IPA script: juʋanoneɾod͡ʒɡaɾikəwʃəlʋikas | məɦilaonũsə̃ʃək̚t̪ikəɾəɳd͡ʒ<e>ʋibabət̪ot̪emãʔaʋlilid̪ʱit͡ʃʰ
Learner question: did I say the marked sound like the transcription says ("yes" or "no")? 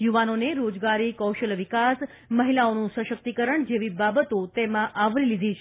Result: yes